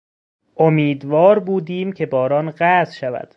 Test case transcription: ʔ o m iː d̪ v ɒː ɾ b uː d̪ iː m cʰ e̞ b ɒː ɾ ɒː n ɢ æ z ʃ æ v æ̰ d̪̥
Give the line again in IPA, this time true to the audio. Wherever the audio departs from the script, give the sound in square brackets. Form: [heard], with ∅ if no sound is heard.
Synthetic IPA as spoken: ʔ o m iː d̪ v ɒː ɾ b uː d̪ iː m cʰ e̞ b ɒː ɾ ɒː n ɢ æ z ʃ æ v æ̰ d̪̥